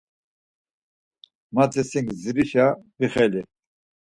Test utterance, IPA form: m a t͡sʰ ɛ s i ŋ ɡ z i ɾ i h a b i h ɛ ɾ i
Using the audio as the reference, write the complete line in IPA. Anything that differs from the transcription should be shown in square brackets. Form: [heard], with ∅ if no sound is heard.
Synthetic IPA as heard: m a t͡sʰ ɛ s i ŋ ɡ z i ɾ i [ʃ] a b i [χ] ɛ [l] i